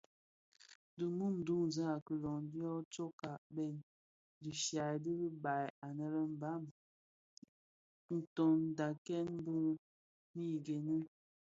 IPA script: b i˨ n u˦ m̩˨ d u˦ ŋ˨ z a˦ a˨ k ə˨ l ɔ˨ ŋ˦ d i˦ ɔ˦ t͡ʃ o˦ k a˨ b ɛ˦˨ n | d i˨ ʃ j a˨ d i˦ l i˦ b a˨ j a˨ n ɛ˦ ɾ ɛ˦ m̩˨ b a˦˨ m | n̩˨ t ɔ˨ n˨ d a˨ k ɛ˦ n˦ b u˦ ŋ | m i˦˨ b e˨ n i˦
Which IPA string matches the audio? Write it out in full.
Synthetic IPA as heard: d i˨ m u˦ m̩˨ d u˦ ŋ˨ z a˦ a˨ k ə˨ l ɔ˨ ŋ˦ d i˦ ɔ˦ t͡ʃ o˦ k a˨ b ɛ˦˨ n | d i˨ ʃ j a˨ d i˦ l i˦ b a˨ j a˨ n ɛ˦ ɾ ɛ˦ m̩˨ b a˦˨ m | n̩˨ t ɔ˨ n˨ d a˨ k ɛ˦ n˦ b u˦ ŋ | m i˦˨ ɡ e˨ n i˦